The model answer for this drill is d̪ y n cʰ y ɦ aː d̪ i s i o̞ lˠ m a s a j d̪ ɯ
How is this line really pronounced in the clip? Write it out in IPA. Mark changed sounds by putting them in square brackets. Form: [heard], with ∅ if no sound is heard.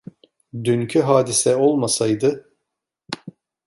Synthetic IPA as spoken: d̪ y n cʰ y ɦ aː d̪ i s [ɛ] o̞ lˠ m a s a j d̪ ɯ